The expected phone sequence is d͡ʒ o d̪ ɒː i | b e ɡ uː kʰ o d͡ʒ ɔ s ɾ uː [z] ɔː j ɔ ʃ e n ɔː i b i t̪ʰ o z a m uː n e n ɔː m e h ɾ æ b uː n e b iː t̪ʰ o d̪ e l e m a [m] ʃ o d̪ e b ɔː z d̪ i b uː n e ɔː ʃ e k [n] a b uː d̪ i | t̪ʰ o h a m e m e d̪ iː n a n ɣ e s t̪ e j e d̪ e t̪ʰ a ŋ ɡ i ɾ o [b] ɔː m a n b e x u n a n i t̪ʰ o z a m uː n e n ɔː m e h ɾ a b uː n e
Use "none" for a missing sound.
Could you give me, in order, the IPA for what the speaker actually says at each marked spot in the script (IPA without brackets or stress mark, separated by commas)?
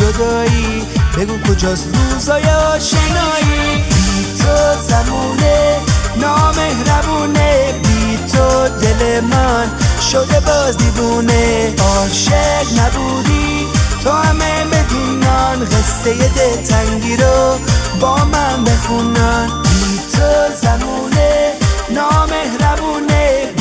z, n, n, b